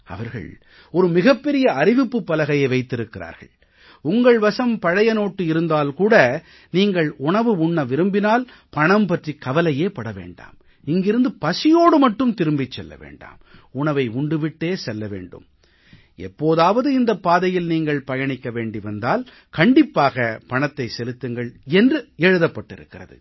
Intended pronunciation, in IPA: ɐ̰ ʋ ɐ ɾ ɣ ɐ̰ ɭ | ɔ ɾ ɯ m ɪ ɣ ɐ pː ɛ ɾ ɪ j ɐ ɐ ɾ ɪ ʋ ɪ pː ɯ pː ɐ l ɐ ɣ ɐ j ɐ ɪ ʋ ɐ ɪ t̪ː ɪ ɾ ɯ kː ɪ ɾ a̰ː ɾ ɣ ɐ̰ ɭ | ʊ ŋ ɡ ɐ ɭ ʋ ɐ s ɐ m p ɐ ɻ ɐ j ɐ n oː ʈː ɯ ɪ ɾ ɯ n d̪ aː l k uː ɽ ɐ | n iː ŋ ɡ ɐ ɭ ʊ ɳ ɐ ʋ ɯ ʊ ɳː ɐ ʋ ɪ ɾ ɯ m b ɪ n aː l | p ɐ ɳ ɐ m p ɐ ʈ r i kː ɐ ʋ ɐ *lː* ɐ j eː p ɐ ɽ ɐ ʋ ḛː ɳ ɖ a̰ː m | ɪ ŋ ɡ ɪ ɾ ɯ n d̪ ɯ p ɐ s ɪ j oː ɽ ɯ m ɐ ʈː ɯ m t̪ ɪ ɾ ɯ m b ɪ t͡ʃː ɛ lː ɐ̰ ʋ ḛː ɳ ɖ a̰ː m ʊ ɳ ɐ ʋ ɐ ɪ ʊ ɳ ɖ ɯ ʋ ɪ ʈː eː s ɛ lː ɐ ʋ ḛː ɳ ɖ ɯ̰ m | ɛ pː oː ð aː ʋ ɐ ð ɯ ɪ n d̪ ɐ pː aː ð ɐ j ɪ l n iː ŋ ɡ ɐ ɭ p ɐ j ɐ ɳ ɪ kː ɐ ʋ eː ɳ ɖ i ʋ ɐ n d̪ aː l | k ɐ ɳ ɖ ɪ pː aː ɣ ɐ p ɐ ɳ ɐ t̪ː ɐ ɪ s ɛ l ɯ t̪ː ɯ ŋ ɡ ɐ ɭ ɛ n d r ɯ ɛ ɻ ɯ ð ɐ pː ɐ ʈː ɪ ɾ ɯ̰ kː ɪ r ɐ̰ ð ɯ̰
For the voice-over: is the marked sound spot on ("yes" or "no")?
no